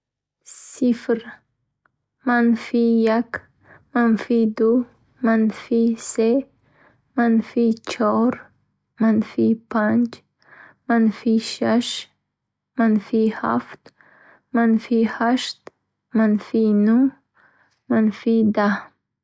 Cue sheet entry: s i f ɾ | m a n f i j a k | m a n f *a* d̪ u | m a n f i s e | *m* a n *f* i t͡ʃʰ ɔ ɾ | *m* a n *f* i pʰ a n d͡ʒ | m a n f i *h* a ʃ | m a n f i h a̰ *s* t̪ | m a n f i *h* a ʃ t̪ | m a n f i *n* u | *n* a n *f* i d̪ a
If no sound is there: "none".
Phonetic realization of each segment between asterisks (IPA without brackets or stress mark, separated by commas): i, m, f, m, f, ʃ, f, h, n, m, f